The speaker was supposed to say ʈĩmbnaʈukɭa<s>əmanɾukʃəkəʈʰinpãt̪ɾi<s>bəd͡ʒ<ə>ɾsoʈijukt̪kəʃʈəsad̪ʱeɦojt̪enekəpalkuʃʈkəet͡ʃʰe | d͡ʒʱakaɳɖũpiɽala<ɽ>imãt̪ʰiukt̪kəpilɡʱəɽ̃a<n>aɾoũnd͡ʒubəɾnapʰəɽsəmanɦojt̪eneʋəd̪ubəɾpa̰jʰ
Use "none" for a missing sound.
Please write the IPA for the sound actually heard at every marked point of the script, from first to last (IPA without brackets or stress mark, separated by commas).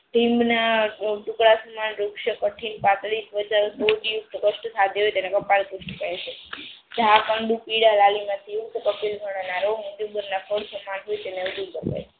s, s, a, l, n